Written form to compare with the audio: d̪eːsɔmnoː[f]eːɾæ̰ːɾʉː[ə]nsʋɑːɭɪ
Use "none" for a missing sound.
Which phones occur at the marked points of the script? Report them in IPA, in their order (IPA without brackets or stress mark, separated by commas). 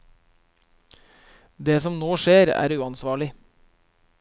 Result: ʃ, ɑ